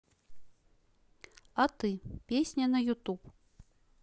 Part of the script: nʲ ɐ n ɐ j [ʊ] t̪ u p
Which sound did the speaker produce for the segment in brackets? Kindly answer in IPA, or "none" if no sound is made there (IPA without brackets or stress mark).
u